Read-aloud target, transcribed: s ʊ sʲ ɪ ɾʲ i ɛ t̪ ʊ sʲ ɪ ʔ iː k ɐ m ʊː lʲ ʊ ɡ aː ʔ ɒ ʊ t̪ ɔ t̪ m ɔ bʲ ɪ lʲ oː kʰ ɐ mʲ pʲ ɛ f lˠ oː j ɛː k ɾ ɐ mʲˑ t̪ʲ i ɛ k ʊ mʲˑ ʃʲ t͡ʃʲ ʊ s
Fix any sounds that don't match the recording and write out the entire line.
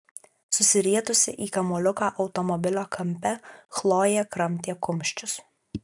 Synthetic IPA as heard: s ʊ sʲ ɪ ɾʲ i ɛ t̪ ʊ sʲ ɪ ʔ iː k ɐ m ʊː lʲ ʊ k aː ʔ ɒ ʊ t̪ ɔ m ɔ bʲ ɪ lʲ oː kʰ ɐ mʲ pʲ ɛ x lˠ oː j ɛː k ɾ ɐ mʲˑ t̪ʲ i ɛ k ʊ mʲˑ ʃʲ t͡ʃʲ ʊ s